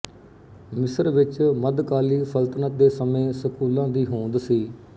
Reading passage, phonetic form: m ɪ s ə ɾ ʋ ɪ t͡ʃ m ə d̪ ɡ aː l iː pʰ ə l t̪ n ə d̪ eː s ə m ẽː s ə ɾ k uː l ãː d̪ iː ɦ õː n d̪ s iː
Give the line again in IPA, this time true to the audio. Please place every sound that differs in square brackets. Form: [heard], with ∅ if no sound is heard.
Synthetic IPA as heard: m ɪ s ə ɾ ʋ ɪ t͡ʃ m ə d̪ [k] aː l iː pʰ ə l t̪ n ə d̪ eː s ə m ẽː s ə [∅] k uː l ãː d̪ iː ɦ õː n d̪ s iː